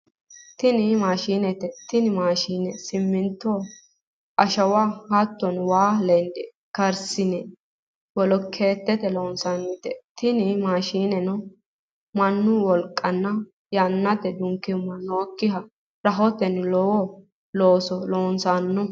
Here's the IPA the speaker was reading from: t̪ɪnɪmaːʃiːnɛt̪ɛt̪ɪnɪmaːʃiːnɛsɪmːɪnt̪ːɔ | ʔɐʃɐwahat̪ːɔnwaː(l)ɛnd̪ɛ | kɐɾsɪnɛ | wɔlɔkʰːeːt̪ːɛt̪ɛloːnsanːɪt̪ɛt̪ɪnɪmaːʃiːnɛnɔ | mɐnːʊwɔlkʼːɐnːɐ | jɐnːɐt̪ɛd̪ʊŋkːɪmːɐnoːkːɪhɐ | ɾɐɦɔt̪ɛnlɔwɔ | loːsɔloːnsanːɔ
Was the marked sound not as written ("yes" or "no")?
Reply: no